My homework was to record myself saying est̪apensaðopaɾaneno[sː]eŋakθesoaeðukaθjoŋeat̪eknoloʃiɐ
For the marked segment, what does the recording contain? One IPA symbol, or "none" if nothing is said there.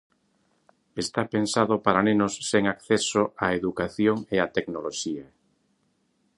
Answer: sː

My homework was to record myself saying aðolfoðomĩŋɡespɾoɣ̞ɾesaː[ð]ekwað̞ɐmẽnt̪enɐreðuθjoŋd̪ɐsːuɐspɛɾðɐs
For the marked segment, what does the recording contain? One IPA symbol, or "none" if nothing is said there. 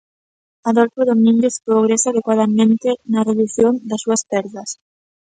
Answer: ð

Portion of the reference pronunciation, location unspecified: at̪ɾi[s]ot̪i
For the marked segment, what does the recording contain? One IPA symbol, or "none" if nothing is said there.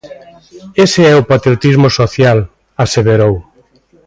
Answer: none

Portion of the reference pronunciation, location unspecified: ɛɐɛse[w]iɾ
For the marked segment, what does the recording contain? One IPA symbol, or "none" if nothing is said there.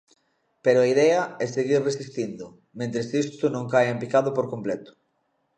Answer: ɣ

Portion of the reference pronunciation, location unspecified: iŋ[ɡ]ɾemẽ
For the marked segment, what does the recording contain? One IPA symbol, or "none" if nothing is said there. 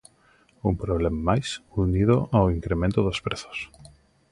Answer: k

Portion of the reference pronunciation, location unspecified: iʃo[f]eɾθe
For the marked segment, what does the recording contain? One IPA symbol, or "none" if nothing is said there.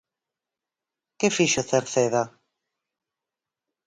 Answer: θ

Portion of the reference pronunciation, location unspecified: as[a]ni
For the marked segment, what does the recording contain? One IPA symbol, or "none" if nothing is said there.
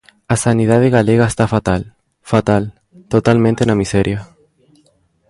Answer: a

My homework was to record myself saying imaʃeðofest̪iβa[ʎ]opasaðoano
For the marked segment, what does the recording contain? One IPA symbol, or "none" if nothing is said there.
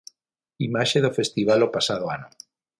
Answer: l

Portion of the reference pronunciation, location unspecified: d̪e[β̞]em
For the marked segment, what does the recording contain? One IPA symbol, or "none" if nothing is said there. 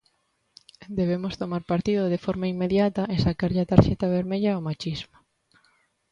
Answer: β̞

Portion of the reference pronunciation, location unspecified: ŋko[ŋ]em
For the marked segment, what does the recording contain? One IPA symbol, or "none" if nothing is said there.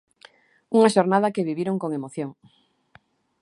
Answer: ŋ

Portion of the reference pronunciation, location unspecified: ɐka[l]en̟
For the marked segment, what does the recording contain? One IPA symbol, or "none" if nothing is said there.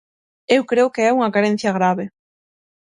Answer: ɾ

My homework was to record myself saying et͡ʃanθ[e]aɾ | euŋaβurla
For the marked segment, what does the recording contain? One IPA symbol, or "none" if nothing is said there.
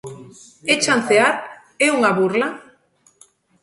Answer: e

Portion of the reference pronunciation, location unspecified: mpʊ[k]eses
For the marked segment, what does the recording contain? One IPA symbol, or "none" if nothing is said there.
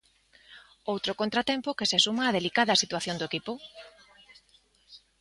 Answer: k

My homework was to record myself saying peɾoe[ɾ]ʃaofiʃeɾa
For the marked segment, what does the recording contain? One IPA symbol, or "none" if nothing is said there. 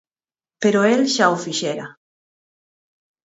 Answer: l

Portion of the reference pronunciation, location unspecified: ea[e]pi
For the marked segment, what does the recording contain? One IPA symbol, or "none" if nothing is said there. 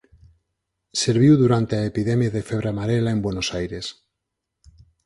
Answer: e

